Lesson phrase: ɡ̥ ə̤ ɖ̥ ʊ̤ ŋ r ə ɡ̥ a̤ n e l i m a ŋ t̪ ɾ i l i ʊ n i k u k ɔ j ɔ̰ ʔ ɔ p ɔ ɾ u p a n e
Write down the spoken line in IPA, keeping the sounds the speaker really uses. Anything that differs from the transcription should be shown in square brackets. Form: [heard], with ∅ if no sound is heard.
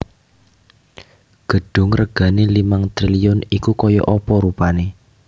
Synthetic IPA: ɡ̥ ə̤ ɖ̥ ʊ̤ ŋ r ə ɡ̥ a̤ n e l i m a ŋ t̪ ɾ i l i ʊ n i k u k ɔ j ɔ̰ ʔ ɔ p ɔ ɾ u p a n e